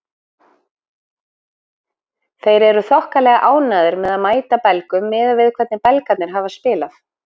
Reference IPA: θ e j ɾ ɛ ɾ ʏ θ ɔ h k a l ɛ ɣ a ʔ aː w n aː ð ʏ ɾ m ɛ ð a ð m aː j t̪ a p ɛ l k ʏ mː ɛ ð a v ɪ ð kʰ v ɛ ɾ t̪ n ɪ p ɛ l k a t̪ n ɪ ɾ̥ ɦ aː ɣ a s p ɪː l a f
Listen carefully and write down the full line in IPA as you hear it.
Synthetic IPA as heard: θ e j ɾ ɛ ɾ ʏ θ ɔ h k a l ɛ ɣ a ʔ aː w n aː ð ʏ ɾ m ɛ ð a ð m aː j t̪ a p ɛ l k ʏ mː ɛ ð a v ɪ ð kʰ v ɛ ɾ t̪ n ɪ p ɛ l k a t̪ n ɪ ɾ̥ ɦ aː v a s p ɪː l a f